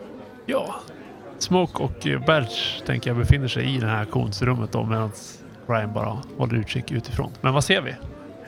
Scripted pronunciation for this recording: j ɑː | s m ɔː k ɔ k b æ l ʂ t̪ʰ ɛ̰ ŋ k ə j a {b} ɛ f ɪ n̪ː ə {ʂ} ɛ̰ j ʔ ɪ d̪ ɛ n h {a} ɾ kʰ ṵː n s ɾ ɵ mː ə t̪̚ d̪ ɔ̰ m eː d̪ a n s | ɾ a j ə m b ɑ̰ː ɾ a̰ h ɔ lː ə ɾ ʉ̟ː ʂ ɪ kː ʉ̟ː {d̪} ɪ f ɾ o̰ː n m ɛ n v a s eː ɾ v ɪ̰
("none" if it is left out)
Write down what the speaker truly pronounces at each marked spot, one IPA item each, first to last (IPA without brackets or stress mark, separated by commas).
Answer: b, ʂ, æ, t̪